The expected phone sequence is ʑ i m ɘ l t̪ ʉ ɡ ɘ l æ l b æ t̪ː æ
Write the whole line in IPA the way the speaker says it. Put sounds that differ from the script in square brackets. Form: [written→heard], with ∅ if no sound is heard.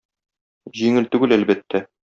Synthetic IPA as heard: ʑ i [m→ŋ] ɘ l t̪ ʉ ɡ ɘ l æ l b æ t̪ː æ